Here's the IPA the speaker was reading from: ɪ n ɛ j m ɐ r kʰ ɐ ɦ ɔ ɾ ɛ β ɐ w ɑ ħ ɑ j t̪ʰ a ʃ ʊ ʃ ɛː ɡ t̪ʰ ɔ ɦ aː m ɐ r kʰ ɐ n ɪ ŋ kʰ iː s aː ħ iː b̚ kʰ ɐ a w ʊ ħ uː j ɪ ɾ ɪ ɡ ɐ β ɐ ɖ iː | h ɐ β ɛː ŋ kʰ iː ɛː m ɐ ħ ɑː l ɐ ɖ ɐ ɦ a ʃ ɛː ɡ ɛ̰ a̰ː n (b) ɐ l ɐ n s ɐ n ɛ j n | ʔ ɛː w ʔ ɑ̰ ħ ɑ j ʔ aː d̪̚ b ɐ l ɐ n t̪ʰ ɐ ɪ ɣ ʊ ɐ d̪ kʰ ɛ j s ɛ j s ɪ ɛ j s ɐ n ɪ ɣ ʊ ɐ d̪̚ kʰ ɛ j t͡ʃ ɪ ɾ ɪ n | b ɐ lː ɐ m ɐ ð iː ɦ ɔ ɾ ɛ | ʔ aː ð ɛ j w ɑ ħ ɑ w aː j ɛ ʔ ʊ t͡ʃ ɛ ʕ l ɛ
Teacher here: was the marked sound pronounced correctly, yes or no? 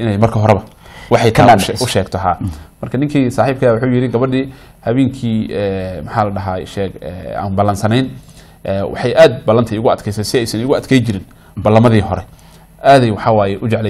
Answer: yes